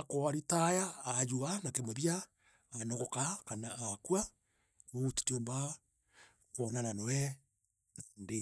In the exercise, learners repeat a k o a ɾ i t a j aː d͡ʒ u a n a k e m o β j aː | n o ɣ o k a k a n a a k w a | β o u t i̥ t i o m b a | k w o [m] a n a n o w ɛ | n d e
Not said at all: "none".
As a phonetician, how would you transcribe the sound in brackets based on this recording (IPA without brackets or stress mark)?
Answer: n